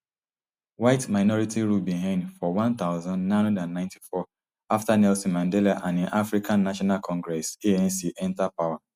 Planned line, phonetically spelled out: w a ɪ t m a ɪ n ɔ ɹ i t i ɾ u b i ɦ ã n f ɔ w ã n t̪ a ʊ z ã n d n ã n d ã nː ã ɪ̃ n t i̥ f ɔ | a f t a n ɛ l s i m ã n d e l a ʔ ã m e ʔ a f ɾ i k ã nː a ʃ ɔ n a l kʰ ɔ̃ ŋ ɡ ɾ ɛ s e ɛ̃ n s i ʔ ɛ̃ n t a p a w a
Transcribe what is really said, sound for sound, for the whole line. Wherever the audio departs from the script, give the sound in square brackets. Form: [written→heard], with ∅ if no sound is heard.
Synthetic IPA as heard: w a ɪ t m a ɪ n ɔ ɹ i t i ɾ u b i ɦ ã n f ɔ w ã n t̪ a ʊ z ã n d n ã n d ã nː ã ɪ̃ n t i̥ f ɔ | a f t a n ɛ l s i m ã n d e l a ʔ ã [m→n] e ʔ a f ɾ i k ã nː a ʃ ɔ n a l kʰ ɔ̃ ŋ ɡ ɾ ɛ s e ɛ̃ n s i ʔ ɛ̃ n t a p a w a

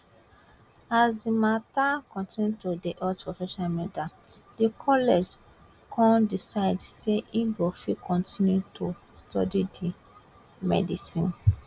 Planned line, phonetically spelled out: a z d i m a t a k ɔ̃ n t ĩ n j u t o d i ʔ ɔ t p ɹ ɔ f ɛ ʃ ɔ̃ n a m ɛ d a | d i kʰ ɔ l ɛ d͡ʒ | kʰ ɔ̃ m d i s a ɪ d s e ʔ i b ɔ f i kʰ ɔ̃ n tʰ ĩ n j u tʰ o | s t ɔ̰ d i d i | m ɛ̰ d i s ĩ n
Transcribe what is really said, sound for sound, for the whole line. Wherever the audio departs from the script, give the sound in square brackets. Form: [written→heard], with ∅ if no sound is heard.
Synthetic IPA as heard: a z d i m a t a k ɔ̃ n t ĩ n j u t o d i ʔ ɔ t p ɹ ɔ f ɛ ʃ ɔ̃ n a m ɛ d a | d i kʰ ɔ l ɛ d͡ʒ | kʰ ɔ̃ [m→n] d i s a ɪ d s e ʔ i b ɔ f i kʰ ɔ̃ n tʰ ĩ n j u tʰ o | s t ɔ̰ d i d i | m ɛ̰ d i s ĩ n

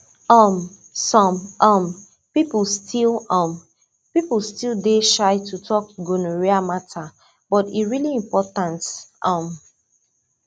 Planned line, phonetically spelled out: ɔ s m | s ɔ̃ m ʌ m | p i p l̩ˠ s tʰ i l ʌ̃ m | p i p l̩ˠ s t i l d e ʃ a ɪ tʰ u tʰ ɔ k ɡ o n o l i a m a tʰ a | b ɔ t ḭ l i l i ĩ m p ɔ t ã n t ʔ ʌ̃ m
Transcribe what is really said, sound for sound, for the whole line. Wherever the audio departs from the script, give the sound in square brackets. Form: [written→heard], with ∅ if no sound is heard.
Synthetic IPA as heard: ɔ [s→∅] m | s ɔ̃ m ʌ m | p i p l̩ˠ s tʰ i l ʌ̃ m | p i p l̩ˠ s t i l d e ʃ a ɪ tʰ u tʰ ɔ k ɡ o n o [l→ɹ] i a m a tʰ a | b ɔ t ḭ [l→ɹ] i l i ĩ m p ɔ t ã n t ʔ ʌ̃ m

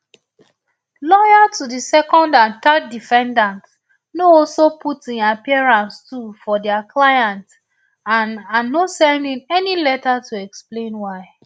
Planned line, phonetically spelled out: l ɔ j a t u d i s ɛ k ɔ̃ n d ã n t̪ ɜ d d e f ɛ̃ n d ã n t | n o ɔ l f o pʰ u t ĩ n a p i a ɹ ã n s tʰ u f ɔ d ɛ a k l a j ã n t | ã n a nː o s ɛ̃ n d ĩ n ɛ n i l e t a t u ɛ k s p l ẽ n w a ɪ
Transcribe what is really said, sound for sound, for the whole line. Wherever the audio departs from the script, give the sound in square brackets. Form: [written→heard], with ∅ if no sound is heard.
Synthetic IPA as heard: l ɔ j a t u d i s ɛ k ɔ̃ n d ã n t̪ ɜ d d [e→i] f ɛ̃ n d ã n t | n o ɔ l [f→s] o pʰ u t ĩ n a p i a ɹ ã n s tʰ u f ɔ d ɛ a k l a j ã n t | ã n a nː o s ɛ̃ n d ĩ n ɛ n i l [e→ɛ] t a t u ɛ k s p l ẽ n w a ɪ

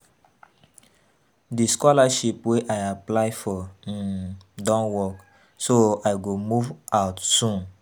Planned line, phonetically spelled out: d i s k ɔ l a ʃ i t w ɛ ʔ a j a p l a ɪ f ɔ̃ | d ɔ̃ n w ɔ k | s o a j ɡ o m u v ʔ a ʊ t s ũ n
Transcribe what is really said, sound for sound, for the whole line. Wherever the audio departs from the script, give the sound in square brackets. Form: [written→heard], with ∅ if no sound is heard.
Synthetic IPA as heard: d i s k ɔ l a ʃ i [t→p] w [ɛ→e] ʔ a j a p l a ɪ f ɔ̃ | d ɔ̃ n w ɔ k | s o a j ɡ o m u v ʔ a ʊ t s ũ n

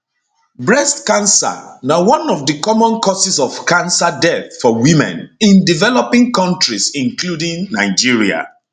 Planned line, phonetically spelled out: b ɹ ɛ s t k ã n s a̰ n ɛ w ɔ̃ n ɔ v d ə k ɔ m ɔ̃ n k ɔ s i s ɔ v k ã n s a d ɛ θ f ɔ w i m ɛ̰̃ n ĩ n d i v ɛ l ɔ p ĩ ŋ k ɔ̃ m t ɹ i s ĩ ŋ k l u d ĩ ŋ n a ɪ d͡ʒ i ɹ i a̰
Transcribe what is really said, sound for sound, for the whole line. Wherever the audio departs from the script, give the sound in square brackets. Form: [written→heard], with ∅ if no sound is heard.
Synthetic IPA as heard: b ɹ ɛ s t k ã n s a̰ n [ɛ→a] w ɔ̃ n ɔ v d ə k ɔ m ɔ̃ n k ɔ s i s ɔ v k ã n s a d ɛ θ f ɔ w i m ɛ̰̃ n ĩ n d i v ɛ l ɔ p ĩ ŋ k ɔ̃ [m→n] t ɹ i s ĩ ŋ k l u d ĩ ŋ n a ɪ d͡ʒ i ɹ i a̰

